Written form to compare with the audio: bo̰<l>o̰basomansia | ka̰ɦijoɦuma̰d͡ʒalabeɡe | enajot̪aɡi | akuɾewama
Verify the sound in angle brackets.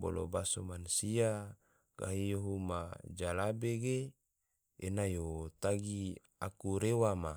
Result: correct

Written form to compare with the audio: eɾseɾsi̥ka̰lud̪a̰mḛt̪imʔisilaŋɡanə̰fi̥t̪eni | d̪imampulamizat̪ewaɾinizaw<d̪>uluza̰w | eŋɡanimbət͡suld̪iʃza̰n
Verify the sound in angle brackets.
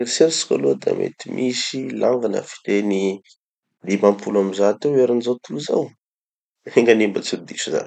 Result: incorrect: t̪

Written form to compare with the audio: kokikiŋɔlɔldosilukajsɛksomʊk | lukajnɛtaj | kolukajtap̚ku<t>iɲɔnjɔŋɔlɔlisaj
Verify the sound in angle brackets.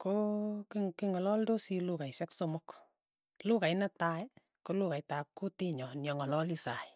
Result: correct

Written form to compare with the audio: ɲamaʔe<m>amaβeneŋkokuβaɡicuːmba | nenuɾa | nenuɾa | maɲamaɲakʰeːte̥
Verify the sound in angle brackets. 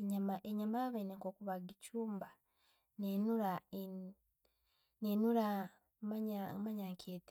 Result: incorrect: ɲ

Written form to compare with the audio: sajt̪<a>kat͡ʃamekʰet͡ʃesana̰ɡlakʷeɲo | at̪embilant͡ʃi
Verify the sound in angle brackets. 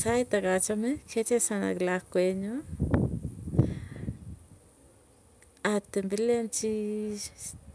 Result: correct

